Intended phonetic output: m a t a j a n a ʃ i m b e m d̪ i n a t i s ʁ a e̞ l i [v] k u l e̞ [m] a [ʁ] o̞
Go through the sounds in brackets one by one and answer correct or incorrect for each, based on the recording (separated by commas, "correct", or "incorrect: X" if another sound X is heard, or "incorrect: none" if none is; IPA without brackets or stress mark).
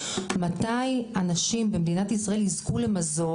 incorrect: z, correct, incorrect: z